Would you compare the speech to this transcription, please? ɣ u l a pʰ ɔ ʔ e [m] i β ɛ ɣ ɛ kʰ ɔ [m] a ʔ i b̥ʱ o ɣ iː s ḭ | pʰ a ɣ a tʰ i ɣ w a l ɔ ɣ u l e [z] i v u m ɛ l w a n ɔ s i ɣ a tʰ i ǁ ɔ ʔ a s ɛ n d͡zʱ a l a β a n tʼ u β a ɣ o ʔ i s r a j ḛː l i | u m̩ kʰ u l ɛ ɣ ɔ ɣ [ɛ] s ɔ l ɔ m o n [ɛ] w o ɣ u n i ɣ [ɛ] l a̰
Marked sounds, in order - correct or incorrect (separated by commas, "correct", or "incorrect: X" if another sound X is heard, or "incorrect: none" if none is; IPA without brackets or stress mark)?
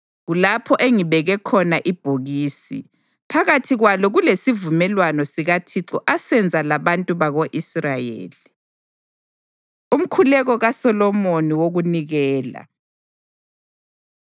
incorrect: ŋ, incorrect: n, incorrect: s, incorrect: a, incorrect: i, incorrect: ɛː